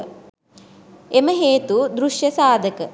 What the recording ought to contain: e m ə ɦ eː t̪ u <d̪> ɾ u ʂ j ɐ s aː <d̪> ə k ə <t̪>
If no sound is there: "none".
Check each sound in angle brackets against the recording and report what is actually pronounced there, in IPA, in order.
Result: d̪, d̪, none

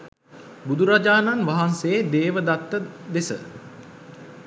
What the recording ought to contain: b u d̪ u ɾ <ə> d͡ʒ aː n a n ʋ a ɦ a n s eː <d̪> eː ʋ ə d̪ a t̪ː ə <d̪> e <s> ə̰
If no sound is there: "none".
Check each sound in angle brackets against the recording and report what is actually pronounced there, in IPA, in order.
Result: a, d̪, d̪, s

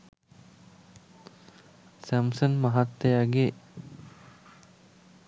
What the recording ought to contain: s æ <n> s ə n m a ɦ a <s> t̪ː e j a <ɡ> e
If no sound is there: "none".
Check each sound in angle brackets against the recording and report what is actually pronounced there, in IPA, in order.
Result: m, none, ɡ

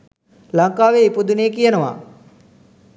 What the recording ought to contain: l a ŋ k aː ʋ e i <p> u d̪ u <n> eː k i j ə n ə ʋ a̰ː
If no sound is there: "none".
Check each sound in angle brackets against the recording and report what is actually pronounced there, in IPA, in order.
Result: p, n

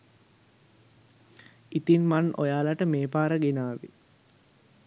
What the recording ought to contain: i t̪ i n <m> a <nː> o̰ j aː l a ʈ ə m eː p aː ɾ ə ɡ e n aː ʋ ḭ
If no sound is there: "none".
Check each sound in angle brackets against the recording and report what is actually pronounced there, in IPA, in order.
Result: m, n

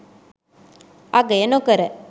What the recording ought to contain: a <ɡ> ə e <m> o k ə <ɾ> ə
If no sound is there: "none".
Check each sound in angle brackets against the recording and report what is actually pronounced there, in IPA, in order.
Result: ɡ, n, ɾ

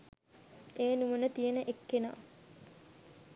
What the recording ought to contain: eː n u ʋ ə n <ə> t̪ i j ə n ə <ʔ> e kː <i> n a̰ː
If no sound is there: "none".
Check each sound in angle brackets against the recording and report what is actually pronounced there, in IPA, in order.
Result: ə, ʔ, e

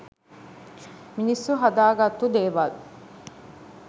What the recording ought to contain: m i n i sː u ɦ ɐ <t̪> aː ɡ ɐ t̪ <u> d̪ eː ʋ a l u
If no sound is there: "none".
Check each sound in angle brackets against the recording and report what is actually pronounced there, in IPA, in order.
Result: d̪, u

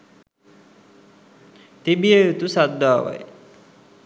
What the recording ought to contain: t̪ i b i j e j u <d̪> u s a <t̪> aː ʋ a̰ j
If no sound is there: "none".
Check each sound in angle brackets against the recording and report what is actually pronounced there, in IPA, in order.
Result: t̪, d̪

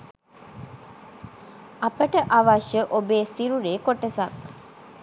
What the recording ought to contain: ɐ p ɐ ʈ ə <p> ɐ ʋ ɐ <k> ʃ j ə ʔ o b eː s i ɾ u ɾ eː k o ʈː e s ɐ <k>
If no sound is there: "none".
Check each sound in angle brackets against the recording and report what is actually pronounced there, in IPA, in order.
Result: ʔ, none, k

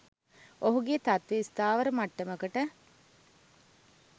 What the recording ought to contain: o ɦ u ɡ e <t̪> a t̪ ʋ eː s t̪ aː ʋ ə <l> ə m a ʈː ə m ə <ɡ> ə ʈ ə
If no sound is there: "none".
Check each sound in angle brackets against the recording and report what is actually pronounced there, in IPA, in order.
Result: t̪, ɾ, k

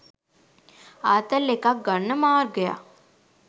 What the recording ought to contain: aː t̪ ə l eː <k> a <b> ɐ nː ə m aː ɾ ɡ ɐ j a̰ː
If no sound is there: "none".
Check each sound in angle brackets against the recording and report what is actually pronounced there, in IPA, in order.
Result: k, ɡ

